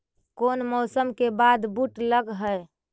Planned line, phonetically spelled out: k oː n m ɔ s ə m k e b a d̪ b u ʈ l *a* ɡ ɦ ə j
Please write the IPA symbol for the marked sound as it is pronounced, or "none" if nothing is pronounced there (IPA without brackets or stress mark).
ə